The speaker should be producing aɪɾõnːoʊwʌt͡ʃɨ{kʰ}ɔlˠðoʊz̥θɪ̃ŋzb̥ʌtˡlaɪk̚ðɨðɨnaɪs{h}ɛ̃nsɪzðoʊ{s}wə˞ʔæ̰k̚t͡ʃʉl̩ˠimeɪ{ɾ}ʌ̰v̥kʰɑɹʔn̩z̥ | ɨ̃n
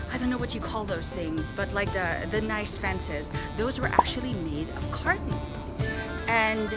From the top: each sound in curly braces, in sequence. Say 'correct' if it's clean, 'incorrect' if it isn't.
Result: correct, incorrect, incorrect, correct

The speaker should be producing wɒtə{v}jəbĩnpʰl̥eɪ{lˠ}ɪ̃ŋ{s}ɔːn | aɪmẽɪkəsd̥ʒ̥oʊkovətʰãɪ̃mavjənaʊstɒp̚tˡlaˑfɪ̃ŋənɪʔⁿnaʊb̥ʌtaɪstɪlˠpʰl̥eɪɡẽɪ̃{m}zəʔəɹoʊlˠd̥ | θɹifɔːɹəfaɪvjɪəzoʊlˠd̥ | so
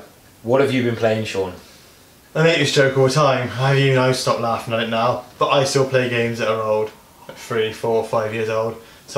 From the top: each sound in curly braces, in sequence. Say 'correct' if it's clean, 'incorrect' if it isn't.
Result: correct, incorrect, incorrect, correct

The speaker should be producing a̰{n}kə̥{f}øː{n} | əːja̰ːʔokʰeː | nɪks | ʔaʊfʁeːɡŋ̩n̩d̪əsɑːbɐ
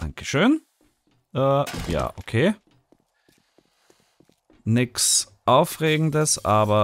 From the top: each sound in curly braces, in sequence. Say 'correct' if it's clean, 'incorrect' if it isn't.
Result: incorrect, incorrect, correct

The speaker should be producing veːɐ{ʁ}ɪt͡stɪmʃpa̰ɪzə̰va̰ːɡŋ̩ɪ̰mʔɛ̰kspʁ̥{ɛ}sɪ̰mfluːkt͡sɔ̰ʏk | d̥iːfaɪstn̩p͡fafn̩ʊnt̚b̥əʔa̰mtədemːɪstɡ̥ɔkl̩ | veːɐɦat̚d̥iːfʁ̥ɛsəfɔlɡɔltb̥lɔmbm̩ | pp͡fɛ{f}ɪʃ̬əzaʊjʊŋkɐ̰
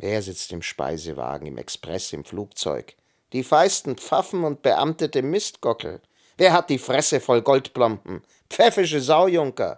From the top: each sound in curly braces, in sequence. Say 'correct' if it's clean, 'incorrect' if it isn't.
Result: incorrect, correct, correct

